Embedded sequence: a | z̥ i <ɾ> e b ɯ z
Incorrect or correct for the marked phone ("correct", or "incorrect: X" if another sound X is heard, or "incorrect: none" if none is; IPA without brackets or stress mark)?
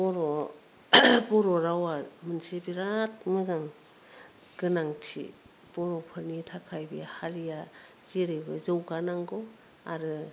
correct